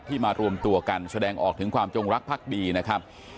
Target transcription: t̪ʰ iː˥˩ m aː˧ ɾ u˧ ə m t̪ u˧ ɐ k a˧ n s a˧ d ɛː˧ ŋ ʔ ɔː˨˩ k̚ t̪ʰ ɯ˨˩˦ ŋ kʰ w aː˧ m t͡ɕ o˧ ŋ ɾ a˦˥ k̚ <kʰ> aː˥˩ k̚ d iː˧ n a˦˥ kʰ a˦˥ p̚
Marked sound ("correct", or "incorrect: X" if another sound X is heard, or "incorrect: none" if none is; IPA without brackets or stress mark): incorrect: pʰ